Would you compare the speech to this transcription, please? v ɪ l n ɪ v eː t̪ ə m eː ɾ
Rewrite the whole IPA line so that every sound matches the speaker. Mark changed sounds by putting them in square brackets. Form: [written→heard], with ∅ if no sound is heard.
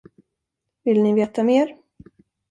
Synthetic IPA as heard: v ɪ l n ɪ v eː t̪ [ə→a] m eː ɾ